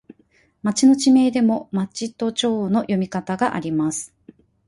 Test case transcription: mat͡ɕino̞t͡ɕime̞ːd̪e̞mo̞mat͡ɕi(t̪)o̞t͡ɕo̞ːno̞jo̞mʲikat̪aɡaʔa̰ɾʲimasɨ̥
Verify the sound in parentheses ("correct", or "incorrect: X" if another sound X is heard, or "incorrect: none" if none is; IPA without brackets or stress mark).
correct